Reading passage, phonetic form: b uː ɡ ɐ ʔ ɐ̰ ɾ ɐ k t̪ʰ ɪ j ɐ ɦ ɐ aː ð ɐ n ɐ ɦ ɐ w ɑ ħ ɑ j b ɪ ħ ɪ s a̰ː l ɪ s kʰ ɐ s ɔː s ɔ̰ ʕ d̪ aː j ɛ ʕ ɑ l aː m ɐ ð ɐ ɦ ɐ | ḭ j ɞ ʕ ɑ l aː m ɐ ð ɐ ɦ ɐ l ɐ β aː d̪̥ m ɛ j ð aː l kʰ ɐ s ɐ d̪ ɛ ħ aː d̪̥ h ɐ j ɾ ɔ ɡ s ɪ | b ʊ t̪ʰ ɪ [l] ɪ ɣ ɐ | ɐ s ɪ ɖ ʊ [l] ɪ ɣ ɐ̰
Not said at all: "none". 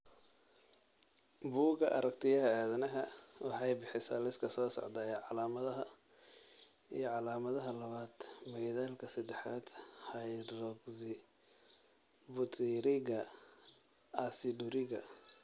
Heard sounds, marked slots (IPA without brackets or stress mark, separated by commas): ɾ, ɾ